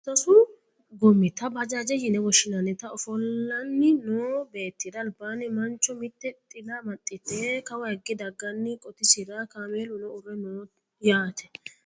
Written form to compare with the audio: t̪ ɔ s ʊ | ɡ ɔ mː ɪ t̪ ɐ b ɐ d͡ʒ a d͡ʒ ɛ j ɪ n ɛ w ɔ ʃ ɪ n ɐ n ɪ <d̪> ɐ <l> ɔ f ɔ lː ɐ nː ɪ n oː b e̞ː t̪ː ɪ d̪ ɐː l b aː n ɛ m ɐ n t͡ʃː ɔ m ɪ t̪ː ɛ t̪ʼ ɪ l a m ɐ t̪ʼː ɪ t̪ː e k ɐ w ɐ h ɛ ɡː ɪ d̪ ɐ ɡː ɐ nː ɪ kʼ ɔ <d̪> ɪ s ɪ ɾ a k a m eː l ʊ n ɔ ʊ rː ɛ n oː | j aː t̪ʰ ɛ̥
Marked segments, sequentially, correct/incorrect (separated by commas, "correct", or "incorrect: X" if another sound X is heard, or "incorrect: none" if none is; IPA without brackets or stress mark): incorrect: t̪, incorrect: none, incorrect: t̪